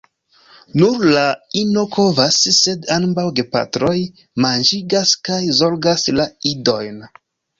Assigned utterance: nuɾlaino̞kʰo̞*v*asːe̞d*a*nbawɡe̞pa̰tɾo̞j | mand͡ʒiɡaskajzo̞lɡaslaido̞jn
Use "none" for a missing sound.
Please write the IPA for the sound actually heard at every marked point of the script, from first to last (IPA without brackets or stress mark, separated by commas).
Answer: v, a